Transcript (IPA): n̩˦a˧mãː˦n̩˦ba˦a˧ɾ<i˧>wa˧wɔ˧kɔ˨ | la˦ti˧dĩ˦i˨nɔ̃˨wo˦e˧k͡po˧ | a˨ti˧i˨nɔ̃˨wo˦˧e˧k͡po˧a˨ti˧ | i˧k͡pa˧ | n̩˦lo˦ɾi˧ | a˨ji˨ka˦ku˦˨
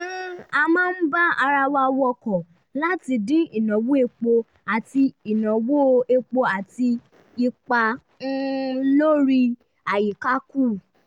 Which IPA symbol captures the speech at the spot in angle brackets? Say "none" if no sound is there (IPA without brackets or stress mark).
a˧